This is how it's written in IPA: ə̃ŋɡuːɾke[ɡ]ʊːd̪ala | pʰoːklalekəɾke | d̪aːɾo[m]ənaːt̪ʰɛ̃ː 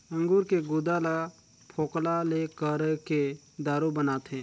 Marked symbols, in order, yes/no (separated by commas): yes, no